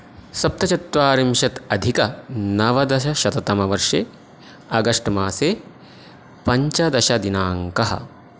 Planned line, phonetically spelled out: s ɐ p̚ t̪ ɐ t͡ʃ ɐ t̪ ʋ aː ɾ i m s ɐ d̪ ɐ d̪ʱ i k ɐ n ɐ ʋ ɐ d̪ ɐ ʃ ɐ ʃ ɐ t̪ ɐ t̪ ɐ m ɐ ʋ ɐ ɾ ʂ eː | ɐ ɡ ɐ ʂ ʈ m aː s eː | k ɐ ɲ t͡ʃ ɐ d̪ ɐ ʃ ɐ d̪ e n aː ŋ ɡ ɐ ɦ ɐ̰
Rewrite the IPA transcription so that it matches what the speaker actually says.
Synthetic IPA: s ɐ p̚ t̪ ɐ t͡ʃ ɐ t̪ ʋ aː ɾ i m ʃ ɐ t̪ ɐ d̪ʱ i k ɐ n ɐ ʋ ɐ d̪ ɐ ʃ ɐ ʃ ɐ t̪ ɐ t̪ ɐ m ɐ ʋ ɐ ɾ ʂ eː | ɐ ɡ ɐ ʂ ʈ m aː s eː | p ɐ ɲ t͡ʃ ɐ d̪ ɐ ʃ ɐ d̪ i n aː ŋ k ɐ ɦ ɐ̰